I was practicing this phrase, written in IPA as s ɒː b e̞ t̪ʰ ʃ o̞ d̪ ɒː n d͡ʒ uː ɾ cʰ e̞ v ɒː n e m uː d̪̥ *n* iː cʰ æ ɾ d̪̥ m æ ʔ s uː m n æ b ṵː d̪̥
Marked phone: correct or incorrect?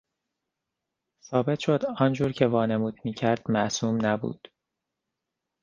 incorrect